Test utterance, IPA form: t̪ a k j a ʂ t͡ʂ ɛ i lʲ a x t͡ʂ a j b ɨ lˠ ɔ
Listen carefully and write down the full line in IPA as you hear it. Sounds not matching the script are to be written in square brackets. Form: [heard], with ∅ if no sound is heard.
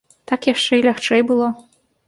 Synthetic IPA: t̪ a k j a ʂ t͡ʂ ɛ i lʲ a x t͡ʂ [ɛ] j b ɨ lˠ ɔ